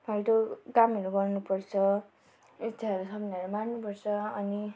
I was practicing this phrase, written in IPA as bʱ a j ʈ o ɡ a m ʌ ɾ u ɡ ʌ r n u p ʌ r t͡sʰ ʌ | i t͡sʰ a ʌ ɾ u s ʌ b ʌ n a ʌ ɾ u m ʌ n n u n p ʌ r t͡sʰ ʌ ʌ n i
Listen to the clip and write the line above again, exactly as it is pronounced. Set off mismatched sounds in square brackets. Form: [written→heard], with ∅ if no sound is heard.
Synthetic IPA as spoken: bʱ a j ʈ o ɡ a m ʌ ɾ u ɡ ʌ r n u p ʌ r t͡sʰ ʌ | i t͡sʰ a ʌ ɾ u s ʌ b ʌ n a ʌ ɾ u m [ʌ→a] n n u [n→∅] p ʌ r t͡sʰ ʌ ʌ n i